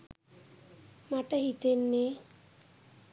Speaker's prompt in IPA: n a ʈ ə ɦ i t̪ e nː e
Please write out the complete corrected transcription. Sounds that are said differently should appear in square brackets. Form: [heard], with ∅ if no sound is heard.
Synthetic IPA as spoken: [m] a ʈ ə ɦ i t̪ e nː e